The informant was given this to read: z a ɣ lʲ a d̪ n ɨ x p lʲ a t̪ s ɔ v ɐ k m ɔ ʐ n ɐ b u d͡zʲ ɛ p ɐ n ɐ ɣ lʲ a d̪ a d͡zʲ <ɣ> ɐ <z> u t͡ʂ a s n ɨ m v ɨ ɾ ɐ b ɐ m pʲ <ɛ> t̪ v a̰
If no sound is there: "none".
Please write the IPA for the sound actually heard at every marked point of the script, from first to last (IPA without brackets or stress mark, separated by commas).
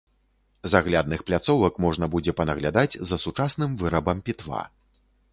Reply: z, s, i